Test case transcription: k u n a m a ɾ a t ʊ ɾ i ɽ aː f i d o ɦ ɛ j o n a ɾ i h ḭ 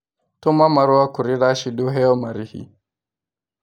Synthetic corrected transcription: t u m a m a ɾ a k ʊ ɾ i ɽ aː ʃ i d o ɦ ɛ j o m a ɾ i h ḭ